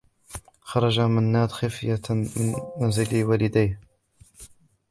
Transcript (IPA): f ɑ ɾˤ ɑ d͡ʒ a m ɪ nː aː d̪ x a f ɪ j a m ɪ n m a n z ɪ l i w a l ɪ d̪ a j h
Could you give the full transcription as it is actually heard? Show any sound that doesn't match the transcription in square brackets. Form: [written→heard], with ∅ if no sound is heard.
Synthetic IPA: [f→x] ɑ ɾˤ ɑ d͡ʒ a m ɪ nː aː d̪ x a f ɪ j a m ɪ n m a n z ɪ l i w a l ɪ d̪ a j h